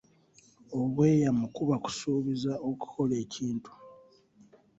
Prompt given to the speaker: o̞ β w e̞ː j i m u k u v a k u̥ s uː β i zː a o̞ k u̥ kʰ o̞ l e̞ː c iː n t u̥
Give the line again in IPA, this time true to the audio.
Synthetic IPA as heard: o̞ β w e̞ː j a m u k u β a k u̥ s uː β i z a o̞ k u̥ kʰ o̞ l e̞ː c iː n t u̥